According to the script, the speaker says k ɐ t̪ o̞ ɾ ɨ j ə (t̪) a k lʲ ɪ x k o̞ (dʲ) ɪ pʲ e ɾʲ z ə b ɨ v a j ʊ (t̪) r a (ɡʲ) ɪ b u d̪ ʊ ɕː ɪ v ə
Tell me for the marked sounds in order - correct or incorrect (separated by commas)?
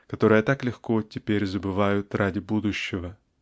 correct, incorrect, correct, incorrect